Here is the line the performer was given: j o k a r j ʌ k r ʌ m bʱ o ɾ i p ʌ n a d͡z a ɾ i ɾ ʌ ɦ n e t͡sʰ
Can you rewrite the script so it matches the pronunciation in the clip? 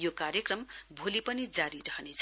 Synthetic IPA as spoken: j o k a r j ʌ k r ʌ m bʱ o l i p ʌ n i d͡z a ɾ i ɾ ʌ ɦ n e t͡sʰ

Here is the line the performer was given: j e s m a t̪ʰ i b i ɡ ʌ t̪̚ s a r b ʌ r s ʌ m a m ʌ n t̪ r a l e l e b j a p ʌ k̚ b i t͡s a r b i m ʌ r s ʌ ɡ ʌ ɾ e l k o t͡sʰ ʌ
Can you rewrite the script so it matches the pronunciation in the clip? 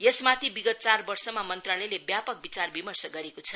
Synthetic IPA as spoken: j e s m a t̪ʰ i b i ɡ ʌ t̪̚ t͡s a r b ʌ r s ʌ m a m ʌ n t̪ r a l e l e b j a p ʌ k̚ b i t͡s a r b i m ʌ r s ʌ ɡ ʌ ɾ e k o t͡sʰ ʌ

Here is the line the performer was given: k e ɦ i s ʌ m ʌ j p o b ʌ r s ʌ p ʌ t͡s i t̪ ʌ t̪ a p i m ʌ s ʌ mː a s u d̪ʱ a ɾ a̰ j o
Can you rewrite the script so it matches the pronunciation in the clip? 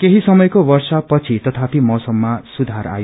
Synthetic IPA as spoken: k e ɦ i s ʌ m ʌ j k o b ʌ r s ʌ p ʌ t͡sʰ i t̪ ʌ t̪ʰ a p i m ʌ s ʌ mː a s u d̪ʱ a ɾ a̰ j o

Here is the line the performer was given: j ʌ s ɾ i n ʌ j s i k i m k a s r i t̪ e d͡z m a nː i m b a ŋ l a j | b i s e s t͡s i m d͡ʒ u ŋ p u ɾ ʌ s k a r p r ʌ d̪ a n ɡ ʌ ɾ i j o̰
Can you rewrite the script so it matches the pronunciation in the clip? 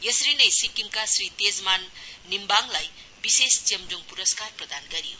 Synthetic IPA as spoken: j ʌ s ɾ i n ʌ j s i k i m k a s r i t̪ e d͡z m a nː i m b a ŋ l a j | b i s e s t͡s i m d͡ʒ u ŋ p u ɾ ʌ s k a r p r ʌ d̪ a n ɡ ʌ ɾ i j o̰

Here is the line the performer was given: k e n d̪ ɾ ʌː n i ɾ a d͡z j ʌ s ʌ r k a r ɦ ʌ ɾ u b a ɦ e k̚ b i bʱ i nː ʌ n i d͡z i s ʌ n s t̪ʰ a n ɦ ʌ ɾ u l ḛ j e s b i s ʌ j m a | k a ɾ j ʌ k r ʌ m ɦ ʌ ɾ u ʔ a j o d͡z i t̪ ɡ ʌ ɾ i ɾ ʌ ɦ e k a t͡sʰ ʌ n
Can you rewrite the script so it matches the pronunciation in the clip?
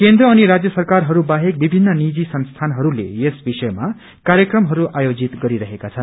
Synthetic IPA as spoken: k e n d̪ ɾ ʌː n i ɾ a d͡z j ʌ s ʌ r k a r ɦ ʌ ɾ u b a ɦ e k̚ b i bʱ i nː ʌ n i d͡z i s ʌ n s t̪ʰ a n ɦ ʌ ɾ u l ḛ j e s b i s ʌ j m a | k a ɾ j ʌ k r ʌ m ɦ ʌ ɾ u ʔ a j o d͡z i t̪ ɡ ʌ ɾ i ɾ ʌ ɦ e k a t͡sʰ ʌ n

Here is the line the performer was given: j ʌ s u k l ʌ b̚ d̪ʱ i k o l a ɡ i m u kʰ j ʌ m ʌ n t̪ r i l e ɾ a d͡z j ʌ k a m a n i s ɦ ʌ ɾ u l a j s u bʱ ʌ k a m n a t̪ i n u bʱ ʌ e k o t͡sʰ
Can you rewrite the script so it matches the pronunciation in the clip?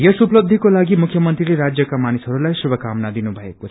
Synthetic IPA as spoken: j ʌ s u p l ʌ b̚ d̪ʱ i k o l a ɡ i m u kʰ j ʌ m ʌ n t̪ r i l e ɾ a d͡z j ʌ k a m a n i s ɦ ʌ ɾ u l a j s u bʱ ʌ k a m n a d̪ i n u bʱ ʌ e k o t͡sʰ

